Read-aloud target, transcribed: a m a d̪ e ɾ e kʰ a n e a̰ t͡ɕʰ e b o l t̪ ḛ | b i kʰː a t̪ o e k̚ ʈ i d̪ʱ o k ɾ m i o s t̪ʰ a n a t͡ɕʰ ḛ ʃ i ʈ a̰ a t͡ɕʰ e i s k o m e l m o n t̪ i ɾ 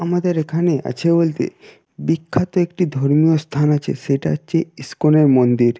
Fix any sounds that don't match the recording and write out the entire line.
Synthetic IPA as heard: a m a d̪ e ɾ e kʰ a n e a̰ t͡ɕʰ e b o l t̪ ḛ | b i kʰː a t̪ o e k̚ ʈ i d̪ʱ o ɾ m i o s t̪ʰ a n a t͡ɕʰ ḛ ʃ e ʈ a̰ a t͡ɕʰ e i s k o n e ɾ m o n d̪ i ɾ